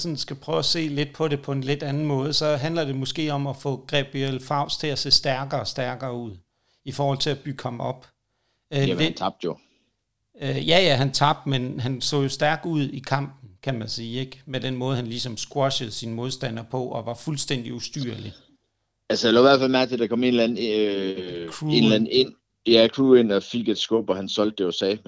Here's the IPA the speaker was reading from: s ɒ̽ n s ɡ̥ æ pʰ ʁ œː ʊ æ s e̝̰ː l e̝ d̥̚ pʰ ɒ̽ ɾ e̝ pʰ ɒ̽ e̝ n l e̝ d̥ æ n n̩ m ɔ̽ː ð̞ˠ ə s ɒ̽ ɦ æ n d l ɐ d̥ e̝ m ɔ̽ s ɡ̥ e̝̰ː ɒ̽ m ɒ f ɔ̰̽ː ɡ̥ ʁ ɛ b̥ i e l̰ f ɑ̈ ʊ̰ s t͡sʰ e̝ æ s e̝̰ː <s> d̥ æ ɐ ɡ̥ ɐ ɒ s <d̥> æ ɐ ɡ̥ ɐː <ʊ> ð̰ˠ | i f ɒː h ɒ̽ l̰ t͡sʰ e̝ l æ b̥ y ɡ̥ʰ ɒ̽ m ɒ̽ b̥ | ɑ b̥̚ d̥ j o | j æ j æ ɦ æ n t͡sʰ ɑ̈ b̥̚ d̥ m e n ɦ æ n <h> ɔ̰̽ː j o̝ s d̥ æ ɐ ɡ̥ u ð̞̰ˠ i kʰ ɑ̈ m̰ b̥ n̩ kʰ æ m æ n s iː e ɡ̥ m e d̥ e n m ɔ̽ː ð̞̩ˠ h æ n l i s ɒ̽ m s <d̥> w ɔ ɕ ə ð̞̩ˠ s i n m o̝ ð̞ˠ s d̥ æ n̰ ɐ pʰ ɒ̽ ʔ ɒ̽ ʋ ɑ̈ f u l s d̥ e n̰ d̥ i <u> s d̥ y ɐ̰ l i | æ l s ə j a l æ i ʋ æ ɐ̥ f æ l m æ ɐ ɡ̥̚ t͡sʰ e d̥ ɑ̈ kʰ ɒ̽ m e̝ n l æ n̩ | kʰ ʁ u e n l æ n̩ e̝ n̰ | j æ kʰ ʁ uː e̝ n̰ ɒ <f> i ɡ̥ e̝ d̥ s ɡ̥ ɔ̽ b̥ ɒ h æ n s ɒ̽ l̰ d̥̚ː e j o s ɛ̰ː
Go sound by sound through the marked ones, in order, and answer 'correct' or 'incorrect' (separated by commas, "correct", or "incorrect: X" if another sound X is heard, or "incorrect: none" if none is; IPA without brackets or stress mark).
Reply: correct, correct, incorrect: u, incorrect: s, incorrect: ɡ̥, correct, correct